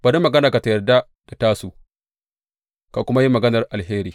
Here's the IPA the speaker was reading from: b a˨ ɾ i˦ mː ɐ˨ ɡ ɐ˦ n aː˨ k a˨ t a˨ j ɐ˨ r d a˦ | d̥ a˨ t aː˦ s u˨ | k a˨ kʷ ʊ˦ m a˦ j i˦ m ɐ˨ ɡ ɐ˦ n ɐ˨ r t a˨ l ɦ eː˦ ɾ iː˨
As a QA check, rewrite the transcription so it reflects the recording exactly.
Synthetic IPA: b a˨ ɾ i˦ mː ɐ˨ ɡ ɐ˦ n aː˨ k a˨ t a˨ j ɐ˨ r d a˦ | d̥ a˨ t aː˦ s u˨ | k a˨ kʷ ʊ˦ m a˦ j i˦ m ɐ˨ ɡ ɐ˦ n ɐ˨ r ʔ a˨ l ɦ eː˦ ɾ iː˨